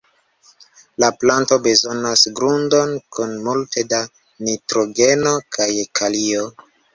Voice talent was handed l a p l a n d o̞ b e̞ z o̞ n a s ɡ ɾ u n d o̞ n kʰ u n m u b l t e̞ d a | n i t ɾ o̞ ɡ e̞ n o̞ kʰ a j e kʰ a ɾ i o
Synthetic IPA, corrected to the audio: l a p l a n t o̞ b e̞ z o̞ n a s ɡ ɾ u n d o̞ n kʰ u n m u l t e̞ d a | n i t ɾ o̞ ɡ e̞ n o̞ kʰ a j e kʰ a l i o